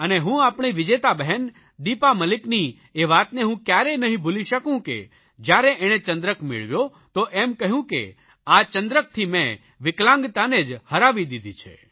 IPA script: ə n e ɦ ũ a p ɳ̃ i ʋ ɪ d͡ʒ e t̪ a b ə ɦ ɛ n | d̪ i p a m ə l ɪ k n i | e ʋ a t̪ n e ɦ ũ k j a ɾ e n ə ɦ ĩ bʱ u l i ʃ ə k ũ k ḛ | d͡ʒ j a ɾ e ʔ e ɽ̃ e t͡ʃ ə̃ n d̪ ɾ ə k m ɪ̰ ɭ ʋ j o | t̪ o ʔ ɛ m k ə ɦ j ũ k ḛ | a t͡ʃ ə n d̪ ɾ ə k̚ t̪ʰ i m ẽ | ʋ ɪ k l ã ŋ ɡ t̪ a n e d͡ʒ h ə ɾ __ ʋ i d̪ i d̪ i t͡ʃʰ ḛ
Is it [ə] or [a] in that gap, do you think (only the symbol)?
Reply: a